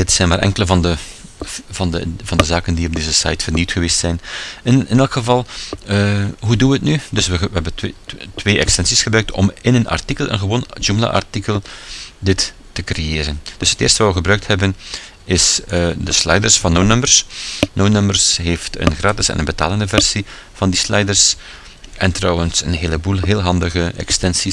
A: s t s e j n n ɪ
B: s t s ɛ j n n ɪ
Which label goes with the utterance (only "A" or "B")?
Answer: B